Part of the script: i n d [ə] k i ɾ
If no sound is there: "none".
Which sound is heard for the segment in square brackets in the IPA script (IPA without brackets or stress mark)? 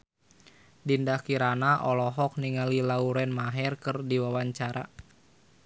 a